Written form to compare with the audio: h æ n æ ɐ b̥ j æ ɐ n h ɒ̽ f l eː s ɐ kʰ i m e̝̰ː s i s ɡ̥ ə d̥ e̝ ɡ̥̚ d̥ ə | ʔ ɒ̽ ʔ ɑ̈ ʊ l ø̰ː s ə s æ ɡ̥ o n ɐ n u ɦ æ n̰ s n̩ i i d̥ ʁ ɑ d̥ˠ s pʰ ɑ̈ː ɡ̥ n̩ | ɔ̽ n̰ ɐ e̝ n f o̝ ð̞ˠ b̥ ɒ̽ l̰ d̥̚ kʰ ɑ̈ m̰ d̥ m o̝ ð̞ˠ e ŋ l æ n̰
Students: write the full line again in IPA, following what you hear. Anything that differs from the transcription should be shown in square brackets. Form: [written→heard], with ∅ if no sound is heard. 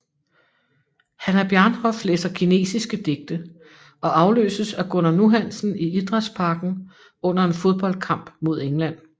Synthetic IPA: h æ n æ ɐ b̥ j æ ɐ n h ɒ̽ f l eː s ɐ kʰ i [m→n] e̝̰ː s i s ɡ̥ ə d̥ e̝ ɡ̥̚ d̥ ə | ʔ ɒ̽ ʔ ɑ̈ ʊ l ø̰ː s ə s æ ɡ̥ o n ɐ n u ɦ æ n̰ s n̩ i i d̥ ʁ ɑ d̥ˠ s pʰ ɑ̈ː ɡ̥ n̩ | ɔ̽ n̰ ɐ e̝ n f o̝ ð̞ˠ b̥ ɒ̽ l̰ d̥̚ kʰ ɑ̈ m̰ [d̥→b̥] m o̝ ð̞ˠ e ŋ l æ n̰

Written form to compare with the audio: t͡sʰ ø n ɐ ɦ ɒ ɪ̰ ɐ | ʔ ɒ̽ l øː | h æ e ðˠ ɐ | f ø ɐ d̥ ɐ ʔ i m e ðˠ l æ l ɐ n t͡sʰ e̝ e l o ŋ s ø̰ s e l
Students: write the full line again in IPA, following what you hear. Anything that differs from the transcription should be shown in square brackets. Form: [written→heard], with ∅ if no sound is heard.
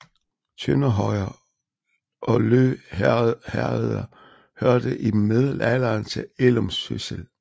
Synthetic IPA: t͡sʰ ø n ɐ ɦ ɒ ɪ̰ ɐ | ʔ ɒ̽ l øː | h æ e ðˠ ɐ | [f→h] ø ɐ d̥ [ɐ→ə] ʔ i m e ðˠ l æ l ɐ n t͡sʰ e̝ e l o [ŋ→m] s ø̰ s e l

